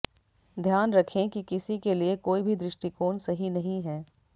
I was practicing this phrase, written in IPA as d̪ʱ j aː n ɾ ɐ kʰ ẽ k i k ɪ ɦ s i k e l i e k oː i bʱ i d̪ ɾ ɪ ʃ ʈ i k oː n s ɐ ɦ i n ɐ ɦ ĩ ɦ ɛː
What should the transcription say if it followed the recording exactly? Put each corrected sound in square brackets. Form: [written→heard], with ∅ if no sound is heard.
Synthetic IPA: d̪ʱ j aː n ɾ ɐ kʰ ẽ k i k ɪ [ɦ→∅] s i k e l i e k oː i bʱ i d̪ ɾ ɪ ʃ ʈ i k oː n s ɐ ɦ i n ɐ ɦ ĩ ɦ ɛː